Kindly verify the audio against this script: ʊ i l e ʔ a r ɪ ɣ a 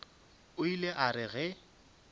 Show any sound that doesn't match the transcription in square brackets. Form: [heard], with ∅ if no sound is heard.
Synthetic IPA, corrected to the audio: ʊ i l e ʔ a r ɪ ɣ [ɛ]